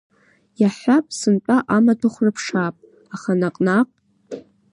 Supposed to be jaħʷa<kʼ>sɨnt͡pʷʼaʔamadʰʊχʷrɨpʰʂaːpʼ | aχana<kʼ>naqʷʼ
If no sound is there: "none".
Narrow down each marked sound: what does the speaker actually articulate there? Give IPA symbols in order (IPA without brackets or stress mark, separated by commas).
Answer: pʼ, qʼ